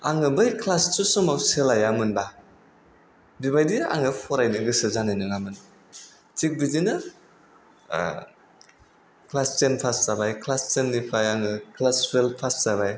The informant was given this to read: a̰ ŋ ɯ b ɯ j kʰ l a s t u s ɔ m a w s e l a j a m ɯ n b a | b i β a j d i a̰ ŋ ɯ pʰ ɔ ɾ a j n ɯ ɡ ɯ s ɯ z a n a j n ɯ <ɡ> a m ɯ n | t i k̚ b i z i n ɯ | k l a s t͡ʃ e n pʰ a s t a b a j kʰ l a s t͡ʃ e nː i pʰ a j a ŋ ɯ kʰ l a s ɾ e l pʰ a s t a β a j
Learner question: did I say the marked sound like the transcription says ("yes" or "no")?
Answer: no